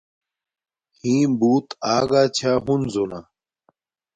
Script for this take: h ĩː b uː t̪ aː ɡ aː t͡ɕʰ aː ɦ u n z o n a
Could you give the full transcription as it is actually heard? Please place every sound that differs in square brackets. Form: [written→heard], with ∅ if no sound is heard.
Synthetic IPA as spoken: h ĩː b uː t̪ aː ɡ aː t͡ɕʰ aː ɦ u n z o n a